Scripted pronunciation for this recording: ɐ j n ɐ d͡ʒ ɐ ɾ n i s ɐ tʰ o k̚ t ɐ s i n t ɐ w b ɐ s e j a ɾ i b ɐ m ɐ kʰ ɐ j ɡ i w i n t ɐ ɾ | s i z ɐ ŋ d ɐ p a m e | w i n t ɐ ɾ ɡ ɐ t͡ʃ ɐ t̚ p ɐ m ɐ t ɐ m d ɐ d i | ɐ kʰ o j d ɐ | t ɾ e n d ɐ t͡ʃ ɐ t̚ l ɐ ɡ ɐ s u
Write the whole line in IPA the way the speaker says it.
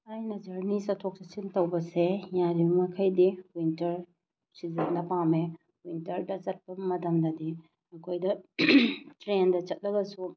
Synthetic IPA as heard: a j n ɐ d͡ʒ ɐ ɾ n i s ɐ tʰ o k̚ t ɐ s i n t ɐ w b ɐ s e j a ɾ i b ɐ m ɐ kʰ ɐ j d i w i n t ɐ ɾ | s i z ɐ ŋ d ɐ p a m e | w i n t ɐ ɾ d ɐ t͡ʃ ɐ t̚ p ɐ m ɐ t ɐ m d ɐ d i | ɐ kʰ o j d ɐ | t ɾ e n d ɐ t͡ʃ ɐ t̚ l ɐ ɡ ɐ s u